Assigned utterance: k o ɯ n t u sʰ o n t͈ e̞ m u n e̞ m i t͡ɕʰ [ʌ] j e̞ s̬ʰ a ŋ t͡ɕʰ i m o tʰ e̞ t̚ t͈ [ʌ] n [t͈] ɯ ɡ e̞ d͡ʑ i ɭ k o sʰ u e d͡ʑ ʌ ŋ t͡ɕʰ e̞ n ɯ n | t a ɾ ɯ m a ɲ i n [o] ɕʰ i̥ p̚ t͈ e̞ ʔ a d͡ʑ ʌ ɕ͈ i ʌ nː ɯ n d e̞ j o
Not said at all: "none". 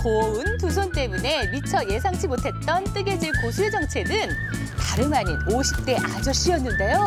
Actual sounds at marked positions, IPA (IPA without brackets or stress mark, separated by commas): ʌ, ʌ, t͈, o